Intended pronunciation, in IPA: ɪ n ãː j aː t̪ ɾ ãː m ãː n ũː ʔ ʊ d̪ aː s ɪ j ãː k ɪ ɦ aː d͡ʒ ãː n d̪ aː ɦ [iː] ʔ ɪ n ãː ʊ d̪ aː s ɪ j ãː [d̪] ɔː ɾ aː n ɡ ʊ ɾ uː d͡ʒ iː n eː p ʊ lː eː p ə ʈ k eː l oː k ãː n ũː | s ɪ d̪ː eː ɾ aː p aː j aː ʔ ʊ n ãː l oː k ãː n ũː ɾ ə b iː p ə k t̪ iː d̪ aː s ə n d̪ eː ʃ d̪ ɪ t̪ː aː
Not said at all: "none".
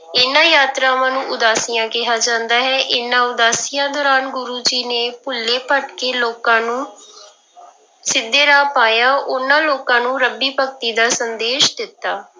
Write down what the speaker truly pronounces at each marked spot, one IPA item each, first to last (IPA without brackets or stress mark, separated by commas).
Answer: ɛː, d̪